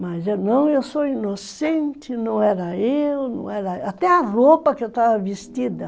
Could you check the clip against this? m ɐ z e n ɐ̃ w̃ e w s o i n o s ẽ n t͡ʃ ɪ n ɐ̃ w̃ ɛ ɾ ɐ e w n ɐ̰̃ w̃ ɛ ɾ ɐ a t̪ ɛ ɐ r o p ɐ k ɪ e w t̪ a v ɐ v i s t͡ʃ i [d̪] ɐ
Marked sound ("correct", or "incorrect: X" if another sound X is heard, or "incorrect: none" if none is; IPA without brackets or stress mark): correct